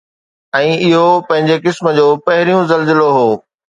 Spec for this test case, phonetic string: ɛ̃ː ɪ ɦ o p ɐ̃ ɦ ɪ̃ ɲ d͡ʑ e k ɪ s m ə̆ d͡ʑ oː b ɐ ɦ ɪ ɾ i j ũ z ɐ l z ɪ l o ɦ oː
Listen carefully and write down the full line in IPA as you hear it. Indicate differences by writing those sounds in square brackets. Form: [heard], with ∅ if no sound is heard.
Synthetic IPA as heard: ɛ̃ː ɪ ɦ o p ɐ̃ ɦ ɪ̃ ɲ d͡ʑ e k ɪ s m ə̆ d͡ʑ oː [p] ɐ ɦ ɪ ɾ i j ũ z ɐ l z ɪ l o ɦ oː